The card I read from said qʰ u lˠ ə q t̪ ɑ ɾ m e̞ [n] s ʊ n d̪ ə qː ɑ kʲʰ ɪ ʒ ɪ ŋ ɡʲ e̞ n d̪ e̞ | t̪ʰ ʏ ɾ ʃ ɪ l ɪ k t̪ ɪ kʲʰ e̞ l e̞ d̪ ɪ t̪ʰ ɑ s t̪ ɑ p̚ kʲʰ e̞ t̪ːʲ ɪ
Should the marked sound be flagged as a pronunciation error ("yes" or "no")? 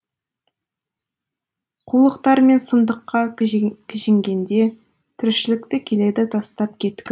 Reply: no